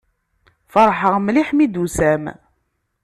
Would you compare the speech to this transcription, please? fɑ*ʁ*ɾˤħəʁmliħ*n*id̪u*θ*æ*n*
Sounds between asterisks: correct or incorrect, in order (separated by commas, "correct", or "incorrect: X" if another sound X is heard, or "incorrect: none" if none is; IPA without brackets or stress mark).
incorrect: none, incorrect: m, incorrect: s, incorrect: m